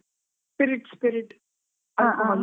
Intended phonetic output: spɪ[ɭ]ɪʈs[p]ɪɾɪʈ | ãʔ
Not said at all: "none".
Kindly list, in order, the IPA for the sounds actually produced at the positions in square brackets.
ɾ, p

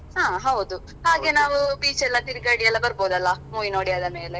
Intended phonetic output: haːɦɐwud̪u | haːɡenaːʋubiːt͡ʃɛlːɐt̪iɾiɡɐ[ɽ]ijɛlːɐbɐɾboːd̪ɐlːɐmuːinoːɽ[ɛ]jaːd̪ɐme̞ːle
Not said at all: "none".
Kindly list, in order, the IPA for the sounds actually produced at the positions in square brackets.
ɽ, i

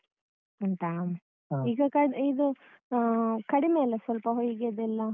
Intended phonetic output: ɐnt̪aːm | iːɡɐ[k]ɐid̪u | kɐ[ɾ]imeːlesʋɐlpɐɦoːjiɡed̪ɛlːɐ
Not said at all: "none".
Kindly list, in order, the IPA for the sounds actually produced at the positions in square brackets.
k, ɽ

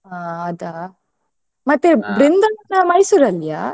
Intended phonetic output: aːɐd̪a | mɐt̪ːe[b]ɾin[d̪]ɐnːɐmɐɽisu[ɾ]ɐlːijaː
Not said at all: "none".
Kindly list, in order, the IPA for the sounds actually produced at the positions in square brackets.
b, d̪, ɾ

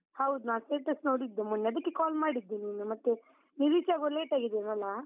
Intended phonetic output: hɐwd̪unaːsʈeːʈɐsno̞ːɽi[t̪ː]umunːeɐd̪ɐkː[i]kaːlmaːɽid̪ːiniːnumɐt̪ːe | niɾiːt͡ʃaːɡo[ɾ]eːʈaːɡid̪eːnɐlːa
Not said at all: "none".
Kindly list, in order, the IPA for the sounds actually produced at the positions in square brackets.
d̪ː, e, l

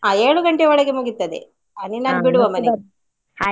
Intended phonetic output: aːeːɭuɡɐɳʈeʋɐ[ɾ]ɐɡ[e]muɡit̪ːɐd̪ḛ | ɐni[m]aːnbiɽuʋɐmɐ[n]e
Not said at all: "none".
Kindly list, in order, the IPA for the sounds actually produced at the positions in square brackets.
ɭ, e, n, n

